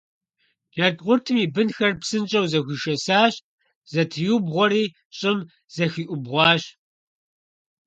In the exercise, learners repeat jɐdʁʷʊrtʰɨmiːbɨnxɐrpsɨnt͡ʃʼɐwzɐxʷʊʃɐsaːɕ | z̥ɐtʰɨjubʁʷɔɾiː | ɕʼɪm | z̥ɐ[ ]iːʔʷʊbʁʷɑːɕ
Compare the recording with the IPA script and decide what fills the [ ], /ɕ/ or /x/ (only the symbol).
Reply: x